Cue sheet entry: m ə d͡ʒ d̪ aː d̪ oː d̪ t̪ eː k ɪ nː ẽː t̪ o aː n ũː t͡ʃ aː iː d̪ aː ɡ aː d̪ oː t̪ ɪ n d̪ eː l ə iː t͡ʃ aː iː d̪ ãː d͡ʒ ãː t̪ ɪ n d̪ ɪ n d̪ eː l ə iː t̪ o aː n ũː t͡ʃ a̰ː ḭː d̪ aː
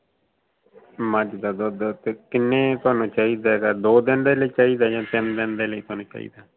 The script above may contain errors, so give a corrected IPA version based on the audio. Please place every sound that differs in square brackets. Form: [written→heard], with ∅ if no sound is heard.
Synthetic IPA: m ə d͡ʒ d̪ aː d̪ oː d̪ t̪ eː k ɪ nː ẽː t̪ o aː n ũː t͡ʃ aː iː d̪ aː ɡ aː d̪ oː [t̪→d̪] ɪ n d̪ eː l ə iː t͡ʃ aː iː d̪ [ãː→aː] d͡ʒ ãː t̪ ɪ n d̪ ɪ n d̪ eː l ə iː t̪ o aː n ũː t͡ʃ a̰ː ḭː d̪ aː